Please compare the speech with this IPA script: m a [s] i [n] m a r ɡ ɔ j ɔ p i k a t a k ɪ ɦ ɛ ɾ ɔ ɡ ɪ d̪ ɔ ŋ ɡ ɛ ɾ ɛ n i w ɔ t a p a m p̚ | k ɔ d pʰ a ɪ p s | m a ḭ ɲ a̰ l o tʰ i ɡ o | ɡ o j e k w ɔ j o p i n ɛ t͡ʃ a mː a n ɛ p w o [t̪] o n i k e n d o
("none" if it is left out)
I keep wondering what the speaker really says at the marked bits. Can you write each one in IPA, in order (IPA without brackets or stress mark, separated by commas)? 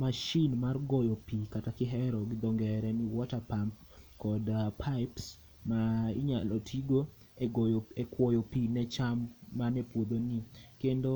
ʃ, n, d̪